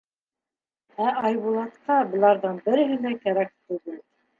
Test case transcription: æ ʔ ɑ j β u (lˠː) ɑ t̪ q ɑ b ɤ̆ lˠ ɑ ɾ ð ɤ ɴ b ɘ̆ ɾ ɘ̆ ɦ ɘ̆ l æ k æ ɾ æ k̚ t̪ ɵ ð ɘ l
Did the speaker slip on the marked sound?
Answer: yes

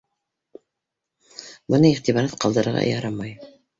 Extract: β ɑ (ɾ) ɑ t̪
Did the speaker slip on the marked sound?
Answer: no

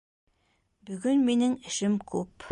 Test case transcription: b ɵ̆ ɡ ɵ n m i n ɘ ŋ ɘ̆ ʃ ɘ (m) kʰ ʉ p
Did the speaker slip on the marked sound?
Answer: no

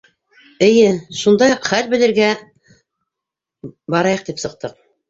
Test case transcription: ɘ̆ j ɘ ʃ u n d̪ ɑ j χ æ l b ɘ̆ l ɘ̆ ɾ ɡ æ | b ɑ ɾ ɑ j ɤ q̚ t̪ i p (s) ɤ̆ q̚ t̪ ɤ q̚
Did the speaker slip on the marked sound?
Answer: no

